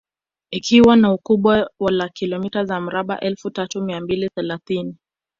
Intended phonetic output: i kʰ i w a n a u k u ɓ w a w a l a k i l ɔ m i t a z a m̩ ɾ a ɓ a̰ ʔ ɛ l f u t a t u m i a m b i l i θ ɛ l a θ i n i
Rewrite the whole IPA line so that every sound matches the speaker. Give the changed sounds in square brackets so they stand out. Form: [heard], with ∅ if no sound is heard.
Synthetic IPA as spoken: i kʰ i w a n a u k u ɓ w a w a l a k i l ɔ m i t a z a m̩ ɾ a ɓ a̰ ʔ ɛ l f u t a t u m i a m b i l i θ ɛ l a θ i n i

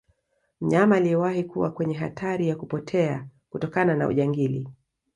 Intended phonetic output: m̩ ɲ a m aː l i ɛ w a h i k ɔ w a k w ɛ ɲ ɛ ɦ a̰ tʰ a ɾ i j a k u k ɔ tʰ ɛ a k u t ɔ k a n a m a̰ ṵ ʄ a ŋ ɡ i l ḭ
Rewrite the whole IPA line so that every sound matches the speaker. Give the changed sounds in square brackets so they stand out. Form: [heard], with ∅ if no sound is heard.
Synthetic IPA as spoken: m̩ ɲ a m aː l i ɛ w a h i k [u] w a k w ɛ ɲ ɛ ɦ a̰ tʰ a ɾ i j a k u [p] ɔ tʰ ɛ a k u t ɔ k a n a [n] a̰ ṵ ʄ a ŋ ɡ i l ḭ

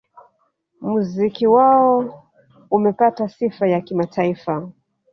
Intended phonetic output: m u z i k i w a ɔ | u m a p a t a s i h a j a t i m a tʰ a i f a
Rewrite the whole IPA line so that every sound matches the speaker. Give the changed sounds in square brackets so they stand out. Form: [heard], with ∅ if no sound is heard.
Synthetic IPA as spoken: m u z i k i w a ɔ | u m [ɛ] p a t a s i [f] a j a [k] i m a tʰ a i f a

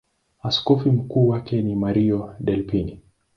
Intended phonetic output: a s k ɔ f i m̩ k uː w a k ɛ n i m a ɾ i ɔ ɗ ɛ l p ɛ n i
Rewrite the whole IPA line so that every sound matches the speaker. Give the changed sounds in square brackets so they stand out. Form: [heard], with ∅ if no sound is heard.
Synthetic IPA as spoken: a s k ɔ f i m̩ k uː w a k ɛ n i m a ɾ i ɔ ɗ ɛ l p [i] n i

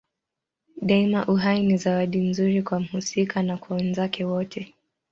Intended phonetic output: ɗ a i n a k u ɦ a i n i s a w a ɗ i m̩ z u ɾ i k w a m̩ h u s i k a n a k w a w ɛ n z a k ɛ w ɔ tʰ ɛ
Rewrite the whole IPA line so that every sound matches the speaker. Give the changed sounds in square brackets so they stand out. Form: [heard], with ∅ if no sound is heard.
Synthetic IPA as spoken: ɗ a i [m] a [ʔ] u ɦ a i n i [z] a w a ɗ i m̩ z u ɾ i k w a m̩ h u s i k a n a k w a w ɛ n z a k ɛ w ɔ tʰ ɛ

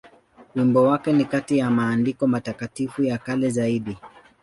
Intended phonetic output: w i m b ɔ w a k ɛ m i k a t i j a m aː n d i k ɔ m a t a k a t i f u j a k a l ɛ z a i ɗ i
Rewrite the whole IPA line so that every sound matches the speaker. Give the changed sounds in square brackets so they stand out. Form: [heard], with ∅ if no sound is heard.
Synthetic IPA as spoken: w i m b ɔ w a k ɛ [n] i k a t i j a m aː n d i k ɔ m a t a k a t i f u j a k a l ɛ z a i ɗ i

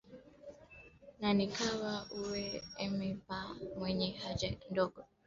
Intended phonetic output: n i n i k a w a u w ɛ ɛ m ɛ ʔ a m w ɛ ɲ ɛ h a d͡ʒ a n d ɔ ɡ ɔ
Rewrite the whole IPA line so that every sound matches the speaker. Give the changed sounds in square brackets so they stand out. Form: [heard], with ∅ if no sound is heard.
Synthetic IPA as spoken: n [a] n i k a w a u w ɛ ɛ m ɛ [p] a m w ɛ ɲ ɛ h a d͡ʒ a n d ɔ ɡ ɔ

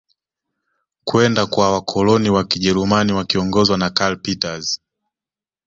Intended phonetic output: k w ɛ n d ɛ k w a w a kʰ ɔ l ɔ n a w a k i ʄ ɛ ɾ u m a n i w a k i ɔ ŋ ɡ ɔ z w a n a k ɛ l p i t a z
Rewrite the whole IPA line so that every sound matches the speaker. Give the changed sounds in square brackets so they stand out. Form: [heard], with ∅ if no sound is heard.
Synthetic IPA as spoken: k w ɛ n d [a] k w a w a kʰ ɔ l ɔ n [i] w a k i ʄ ɛ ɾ u m a n i w a k i ɔ ŋ ɡ ɔ z w a n a k [a] l p i t a z

